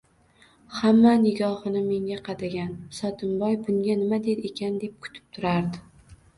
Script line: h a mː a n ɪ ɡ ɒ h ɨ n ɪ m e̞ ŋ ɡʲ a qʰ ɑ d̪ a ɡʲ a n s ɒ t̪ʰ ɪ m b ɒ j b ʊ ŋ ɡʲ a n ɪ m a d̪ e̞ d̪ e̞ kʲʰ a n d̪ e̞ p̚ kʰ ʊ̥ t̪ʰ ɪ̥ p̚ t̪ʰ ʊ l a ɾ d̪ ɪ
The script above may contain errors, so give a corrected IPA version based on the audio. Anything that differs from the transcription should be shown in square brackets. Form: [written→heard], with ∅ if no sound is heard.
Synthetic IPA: h a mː a n ɪ ɡ ɒ h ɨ n ɪ m e̞ ŋ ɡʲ a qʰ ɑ d̪ a ɡʲ a n s ɒ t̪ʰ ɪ m b ɒ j b ʊ ŋ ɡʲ a n ɪ m a d̪ e̞ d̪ e̞ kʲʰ a n d̪ e̞ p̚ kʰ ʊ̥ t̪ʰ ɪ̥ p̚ t̪ʰ ʊ [l→ɾ] a ɾ d̪ ɪ